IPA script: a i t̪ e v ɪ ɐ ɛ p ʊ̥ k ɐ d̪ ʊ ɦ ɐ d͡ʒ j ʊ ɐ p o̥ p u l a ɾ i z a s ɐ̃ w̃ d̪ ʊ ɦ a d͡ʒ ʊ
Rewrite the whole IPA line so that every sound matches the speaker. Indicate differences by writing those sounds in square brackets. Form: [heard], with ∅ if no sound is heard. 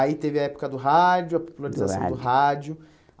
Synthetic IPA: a i t̪ e v ɪ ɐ ɛ p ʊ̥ k ɐ d̪ ʊ ɦ [a] d͡ʒ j ʊ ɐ p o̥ p u l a ɾ i z a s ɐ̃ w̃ d̪ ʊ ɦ a d͡ʒ ʊ